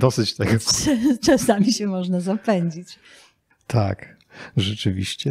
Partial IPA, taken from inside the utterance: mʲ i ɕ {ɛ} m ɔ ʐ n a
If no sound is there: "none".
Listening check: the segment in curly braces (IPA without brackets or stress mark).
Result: ɛ